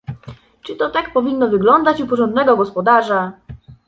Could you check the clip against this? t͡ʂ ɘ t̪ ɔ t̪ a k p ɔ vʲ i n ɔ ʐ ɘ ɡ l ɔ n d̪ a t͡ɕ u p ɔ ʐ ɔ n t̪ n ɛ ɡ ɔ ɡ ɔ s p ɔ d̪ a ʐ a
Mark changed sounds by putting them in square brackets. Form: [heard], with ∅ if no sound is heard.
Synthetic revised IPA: t͡ʂ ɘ t̪ ɔ t̪ a k p ɔ vʲ i [nː] ɔ [v] ɘ ɡ l ɔ n d̪ a t͡ɕ u p ɔ ʐ ɔ n [d̪] n ɛ ɡ ɔ ɡ ɔ s p ɔ d̪ a ʐ a